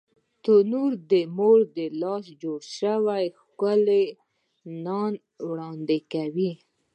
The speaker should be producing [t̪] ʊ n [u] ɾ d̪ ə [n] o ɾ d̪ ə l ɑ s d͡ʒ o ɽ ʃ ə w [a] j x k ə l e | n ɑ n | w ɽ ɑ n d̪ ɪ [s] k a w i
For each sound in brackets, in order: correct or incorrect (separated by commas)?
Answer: correct, correct, incorrect, correct, incorrect